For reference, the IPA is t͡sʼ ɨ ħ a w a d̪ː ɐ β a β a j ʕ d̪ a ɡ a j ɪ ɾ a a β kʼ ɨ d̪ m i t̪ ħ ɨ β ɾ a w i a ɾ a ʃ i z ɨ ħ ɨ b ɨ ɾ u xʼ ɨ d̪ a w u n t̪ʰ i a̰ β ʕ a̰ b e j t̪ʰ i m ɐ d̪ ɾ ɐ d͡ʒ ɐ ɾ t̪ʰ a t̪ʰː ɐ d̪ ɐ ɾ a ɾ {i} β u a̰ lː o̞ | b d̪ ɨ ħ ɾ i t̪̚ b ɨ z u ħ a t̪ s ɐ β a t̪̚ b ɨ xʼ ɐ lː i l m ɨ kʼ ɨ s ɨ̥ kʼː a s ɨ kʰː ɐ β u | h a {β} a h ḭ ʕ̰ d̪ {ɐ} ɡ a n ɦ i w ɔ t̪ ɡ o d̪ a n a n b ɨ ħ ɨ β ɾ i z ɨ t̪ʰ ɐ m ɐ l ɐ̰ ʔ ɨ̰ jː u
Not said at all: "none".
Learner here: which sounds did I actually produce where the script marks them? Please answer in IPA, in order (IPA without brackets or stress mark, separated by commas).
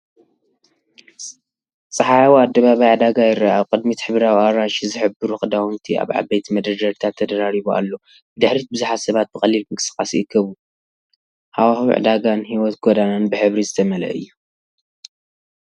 i, w, a